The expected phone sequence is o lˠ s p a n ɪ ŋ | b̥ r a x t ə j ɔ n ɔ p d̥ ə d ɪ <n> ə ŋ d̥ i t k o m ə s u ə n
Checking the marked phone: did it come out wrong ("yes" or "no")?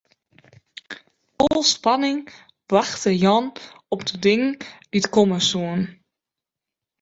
yes